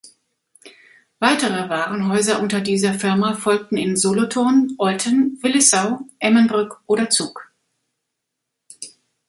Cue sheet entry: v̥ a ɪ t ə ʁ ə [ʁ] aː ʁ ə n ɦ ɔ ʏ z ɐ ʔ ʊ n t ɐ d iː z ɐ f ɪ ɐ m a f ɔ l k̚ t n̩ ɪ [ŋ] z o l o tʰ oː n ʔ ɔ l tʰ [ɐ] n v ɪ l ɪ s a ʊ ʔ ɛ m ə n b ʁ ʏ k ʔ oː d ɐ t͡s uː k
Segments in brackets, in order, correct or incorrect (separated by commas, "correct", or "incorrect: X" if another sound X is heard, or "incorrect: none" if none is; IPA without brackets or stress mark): incorrect: v, incorrect: n, incorrect: ə